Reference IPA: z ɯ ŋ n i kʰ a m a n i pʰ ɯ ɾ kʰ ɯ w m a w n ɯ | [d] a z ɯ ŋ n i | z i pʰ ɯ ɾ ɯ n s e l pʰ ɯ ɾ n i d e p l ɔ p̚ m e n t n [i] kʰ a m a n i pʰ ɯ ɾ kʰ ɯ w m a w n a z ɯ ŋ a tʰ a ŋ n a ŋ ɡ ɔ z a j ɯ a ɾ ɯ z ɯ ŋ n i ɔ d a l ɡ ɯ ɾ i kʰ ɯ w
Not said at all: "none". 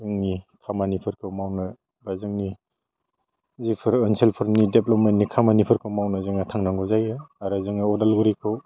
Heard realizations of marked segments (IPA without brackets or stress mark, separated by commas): b, i